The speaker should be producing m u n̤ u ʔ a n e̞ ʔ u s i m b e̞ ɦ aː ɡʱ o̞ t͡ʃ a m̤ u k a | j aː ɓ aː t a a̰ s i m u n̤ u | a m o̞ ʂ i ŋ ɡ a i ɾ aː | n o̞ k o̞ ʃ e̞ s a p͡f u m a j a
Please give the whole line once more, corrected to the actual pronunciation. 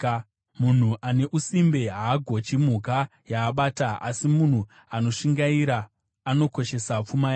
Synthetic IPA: m u n̤ u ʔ a n e̞ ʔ u s i m b e̞ ɦ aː ɡʱ o̞ t͡ʃ i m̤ u k a | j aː ɓ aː t a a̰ s i m u n̤ u | a n o̞ ʂ i ŋ ɡ a i ɾ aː | n o̞ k o̞ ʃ e̞ s a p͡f u m a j a

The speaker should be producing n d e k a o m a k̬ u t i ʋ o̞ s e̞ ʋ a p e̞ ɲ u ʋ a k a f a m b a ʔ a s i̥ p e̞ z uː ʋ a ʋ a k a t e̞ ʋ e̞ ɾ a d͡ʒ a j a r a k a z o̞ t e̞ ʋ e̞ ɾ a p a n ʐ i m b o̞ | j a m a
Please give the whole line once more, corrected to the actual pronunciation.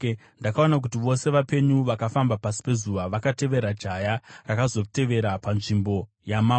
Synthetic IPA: n d a k a o n a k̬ u t i ʋ o̞ s e̞ ʋ a p e̞ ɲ u ʋ a k a f a m b a p a s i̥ p e̞ z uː ʋ a ʋ a k a t e̞ ʋ e̞ ɾ a d͡ʒ a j a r a k a z o̞ t e̞ ʋ e̞ ɾ a p a n ʐ i m b o̞ | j a m a

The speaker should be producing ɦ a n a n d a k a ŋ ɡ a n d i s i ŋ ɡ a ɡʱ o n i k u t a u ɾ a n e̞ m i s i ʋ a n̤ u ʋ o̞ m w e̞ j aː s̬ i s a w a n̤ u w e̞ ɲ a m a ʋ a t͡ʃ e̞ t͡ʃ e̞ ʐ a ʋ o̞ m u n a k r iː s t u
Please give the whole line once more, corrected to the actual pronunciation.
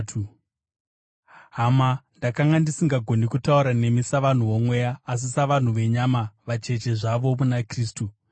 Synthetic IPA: ɦ a m a n d a k a ŋ ɡ a n d i s i ŋ ɡ a ɡʱ o n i k u t a u ɾ a n e̞ m i s a ʋ a n̤ u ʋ o̞ m w e̞ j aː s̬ i s a ʋ a n̤ u ʋ e̞ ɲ a m a ʋ a t͡ʃ e̞ t͡ʃ e̞ ʐ a ʋ o̞ m u n a k r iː s t u

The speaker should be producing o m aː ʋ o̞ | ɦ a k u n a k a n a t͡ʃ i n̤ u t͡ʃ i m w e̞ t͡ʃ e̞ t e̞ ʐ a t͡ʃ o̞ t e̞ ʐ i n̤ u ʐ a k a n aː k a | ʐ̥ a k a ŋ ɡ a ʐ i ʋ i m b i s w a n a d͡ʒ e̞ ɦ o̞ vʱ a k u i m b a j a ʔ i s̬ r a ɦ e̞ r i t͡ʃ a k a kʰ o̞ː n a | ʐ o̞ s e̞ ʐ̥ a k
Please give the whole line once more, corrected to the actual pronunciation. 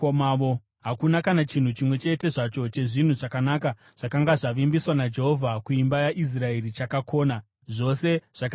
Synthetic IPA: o m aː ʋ o̞ | ɦ a k u n a k a n a t͡ʃ i n̤ u t͡ʃ i m w e̞ t͡ʃ e̞ t e̞ ʐ a t͡ʃ o̞ t͡ʃ e̞ ʐ i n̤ u ʐ a k a n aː k a | ʐ̥ a k a ŋ ɡ a ʐ a ʋ i m b i s w a n a d͡ʒ e̞ ɦ o̞ vʱ a k u i m b a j a ʔ i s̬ r a e̞ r i t͡ʃ a k a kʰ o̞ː n a | ʐ o̞ s e̞ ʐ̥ a k

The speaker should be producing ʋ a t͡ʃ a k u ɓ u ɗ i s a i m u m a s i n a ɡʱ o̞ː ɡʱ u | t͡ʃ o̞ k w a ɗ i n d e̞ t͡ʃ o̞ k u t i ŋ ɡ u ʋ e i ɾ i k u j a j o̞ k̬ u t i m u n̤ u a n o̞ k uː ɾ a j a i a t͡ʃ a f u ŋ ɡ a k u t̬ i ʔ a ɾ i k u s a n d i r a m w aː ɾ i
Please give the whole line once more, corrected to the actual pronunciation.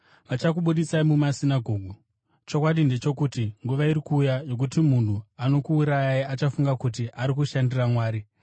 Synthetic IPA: ʋ a t͡ʃ a k u ɓ u ɗ i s a i m u m a s i n a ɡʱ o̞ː ɡʱ u | t͡ʃ o̞ k w a ɗ i n d e̞ t͡ʃ o̞ k u t i ŋ ɡ u ʋ a i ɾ i k uː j a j o̞ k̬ u t i m u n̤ u a n o̞ k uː ɾ a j a i a t͡ʃ a f u ŋ ɡ a k u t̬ i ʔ a ɾ i k u ʃ a n d i r a m w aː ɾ i

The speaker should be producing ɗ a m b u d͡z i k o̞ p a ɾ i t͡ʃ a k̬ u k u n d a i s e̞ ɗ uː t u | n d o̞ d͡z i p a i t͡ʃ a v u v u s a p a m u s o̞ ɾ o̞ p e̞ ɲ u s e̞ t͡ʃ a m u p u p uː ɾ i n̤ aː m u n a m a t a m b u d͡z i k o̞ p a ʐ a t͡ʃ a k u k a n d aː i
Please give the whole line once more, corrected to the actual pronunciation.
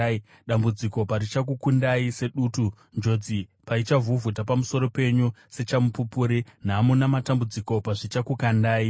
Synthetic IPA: ɗ a m b u d͡z i k o̞ p a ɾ i t͡ʃ a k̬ u k u n d a i s e̞ ɗ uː t u | n d͡ʒ o̞ d͡z i p a i t͡ʃ a v u v u t a p a m u s o̞ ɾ o̞ p e̞ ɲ u s e̞ t͡ʃ a m u p u p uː ɾ i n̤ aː m u n a m a t a m b u d͡z i k o̞ p a ʐ i t͡ʃ a k u k a n d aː i

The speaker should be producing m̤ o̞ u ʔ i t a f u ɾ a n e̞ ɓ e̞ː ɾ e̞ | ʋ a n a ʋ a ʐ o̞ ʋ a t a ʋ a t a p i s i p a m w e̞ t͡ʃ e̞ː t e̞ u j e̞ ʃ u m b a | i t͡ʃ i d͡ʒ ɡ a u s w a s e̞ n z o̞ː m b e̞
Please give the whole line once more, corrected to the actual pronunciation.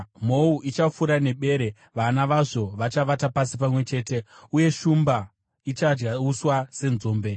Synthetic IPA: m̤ o̞ u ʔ i t͡ʃ a f u ɾ a n e̞ ɓ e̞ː ɾ e̞ | ʋ a n a ʋ a ʐ o̞ ʋ a t͡ʃ a ʋ a t a p a s i p a m w e̞ t͡ʃ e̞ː t e̞ u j e̞ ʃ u m b a | i t͡ʃ a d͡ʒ ɡ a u s w a s e̞ n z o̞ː m b e̞

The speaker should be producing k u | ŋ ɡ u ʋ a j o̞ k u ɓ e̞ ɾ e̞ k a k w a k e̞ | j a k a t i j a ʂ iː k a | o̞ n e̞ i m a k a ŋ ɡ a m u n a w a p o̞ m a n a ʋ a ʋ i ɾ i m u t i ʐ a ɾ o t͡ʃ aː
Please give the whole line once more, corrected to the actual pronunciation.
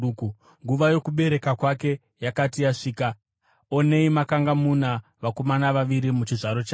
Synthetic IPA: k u | ŋ ɡ u ʋ a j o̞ k u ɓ e̞ ɾ e̞ k a k w a k e̞ | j a k a t i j a ʂ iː k a | o̞ n e̞ i m a k a ŋ ɡ a m u n a ʋ a k o̞ m a n a ʋ a ʋ i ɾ i m u t͡ʃ i ʐ a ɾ o t͡ʃ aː

